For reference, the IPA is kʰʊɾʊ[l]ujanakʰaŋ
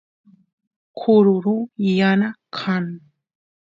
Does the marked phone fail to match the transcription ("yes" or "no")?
yes